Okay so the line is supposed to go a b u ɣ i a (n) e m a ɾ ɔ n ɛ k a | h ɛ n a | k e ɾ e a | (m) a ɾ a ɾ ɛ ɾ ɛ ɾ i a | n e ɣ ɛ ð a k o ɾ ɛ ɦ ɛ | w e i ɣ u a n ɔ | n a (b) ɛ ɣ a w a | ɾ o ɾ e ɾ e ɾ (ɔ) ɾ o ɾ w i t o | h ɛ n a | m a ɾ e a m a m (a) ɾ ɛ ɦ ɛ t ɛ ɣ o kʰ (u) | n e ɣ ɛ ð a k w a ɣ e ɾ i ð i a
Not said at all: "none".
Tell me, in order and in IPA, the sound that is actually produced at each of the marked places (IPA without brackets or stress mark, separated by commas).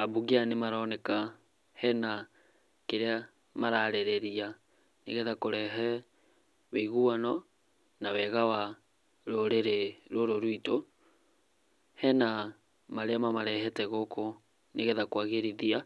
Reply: n, m, w, o, a, o